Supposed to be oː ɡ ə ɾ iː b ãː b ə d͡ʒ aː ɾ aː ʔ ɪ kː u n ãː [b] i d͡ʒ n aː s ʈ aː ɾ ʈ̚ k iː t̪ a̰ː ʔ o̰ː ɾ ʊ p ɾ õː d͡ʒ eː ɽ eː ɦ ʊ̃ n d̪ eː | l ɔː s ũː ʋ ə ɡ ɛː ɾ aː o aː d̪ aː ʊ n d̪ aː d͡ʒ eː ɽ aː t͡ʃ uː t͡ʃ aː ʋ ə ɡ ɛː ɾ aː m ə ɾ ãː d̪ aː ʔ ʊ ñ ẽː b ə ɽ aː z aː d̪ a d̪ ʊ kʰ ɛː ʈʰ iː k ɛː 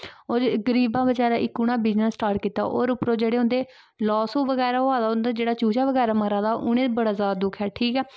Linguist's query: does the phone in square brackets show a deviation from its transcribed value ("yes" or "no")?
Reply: no